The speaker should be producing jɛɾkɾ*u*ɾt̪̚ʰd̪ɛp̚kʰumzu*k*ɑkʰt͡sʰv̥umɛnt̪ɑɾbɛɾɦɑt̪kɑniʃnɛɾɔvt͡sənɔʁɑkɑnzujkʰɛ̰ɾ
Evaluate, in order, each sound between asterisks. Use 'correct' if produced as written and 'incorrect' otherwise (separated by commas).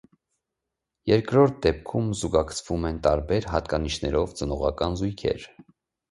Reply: incorrect, incorrect